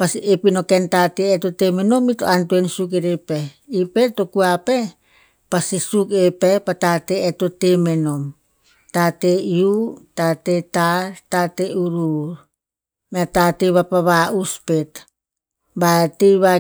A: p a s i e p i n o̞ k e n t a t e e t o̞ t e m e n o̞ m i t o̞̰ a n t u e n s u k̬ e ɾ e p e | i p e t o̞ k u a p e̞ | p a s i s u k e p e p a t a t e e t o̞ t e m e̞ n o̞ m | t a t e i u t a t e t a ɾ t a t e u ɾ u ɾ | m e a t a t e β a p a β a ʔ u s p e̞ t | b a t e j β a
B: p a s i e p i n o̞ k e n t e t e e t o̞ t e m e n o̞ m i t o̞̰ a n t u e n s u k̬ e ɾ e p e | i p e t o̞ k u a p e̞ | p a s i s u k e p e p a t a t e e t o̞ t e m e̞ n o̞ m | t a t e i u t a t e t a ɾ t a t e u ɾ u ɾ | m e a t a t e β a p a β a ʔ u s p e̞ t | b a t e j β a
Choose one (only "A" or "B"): A